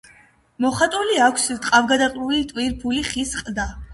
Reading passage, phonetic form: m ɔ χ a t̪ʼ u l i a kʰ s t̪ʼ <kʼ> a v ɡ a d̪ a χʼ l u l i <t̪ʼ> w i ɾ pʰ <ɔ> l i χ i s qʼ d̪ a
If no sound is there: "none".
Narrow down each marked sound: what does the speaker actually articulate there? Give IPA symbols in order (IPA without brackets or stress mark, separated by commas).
qʼ, t̪ʼ, u